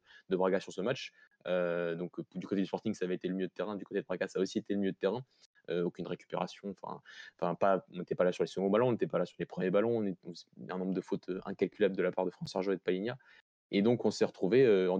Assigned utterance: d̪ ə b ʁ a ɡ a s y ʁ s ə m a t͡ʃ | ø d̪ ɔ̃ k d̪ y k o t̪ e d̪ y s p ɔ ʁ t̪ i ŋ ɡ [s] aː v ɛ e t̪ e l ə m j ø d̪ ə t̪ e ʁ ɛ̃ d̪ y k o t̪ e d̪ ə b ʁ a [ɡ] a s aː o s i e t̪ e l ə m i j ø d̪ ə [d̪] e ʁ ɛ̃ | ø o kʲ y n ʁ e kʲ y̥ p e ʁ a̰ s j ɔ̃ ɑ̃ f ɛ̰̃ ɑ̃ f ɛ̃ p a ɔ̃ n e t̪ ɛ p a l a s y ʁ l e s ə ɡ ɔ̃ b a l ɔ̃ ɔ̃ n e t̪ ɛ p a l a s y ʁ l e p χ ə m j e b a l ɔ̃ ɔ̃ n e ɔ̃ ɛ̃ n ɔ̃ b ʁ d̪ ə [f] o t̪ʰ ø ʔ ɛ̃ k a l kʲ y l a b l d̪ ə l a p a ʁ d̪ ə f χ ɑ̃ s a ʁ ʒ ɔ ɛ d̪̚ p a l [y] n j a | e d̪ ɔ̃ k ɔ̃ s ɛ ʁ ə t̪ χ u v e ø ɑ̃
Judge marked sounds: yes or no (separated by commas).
yes, yes, no, yes, no